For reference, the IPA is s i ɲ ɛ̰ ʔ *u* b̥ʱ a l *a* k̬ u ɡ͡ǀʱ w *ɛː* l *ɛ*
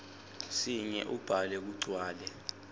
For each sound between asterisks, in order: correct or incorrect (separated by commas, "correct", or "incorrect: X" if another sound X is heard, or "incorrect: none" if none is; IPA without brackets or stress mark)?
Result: correct, incorrect: ɛ, incorrect: aː, correct